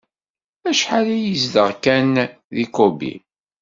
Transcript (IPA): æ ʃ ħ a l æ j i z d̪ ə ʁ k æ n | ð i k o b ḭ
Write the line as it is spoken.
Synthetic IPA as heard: æ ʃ ħ a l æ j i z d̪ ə ʁ k æ n | ð i k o b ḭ